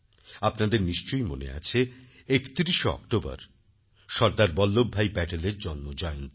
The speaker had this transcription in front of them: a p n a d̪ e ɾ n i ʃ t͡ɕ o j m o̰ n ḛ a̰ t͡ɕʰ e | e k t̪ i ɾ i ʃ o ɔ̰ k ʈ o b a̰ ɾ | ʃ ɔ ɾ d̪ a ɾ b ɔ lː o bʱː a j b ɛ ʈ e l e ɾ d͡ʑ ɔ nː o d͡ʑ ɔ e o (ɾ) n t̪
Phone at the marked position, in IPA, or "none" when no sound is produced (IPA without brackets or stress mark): none